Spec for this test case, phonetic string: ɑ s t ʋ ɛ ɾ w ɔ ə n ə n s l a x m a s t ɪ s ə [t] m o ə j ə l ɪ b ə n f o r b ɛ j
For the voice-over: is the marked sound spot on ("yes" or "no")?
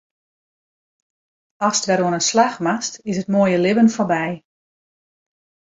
yes